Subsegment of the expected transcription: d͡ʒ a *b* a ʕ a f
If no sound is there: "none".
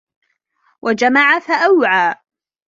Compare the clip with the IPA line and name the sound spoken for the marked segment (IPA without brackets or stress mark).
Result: m